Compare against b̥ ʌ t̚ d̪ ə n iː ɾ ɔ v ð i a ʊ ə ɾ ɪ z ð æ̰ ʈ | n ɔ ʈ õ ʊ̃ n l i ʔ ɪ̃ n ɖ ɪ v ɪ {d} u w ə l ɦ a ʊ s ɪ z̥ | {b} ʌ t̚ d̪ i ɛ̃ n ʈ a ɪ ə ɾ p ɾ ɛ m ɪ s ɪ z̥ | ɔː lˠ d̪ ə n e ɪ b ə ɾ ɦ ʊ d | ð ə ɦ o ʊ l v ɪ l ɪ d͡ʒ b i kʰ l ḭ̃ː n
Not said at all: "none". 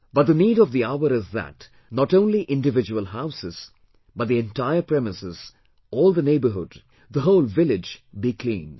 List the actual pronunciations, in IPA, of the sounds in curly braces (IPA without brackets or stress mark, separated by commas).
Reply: d͡ʒ, b